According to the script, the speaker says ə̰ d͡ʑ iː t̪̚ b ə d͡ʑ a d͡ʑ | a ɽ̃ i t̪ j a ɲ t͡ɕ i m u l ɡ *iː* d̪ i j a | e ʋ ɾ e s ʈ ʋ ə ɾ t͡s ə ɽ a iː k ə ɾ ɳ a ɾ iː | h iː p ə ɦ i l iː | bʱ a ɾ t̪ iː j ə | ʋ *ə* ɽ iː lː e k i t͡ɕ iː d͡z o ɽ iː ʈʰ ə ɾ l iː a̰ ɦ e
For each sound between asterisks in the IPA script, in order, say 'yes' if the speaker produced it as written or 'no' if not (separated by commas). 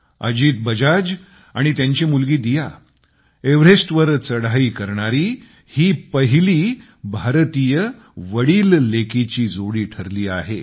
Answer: yes, yes